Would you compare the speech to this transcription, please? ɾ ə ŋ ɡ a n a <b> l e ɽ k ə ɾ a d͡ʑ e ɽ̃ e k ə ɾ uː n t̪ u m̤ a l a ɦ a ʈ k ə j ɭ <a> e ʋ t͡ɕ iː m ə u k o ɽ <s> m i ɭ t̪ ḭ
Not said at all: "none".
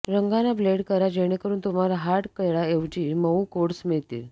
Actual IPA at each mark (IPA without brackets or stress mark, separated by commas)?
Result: b, a, s